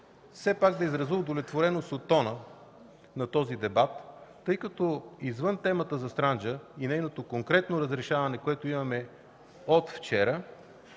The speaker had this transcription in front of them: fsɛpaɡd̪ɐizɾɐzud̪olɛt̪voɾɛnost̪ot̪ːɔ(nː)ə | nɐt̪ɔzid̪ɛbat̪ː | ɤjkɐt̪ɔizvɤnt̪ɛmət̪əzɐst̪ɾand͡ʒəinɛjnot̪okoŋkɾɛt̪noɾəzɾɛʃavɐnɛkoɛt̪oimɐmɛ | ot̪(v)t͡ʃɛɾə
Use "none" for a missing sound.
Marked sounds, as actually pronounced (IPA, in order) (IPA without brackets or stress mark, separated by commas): n, f